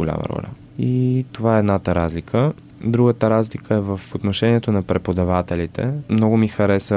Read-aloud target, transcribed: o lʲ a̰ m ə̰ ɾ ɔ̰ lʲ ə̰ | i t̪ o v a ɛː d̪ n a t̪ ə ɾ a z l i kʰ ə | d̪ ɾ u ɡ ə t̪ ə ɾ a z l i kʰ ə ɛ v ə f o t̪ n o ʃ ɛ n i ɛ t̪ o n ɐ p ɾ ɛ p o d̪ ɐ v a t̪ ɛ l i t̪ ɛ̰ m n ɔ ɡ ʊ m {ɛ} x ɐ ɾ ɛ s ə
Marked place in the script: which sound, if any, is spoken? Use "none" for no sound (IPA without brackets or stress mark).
i